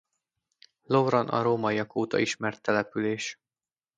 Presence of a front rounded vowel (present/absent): present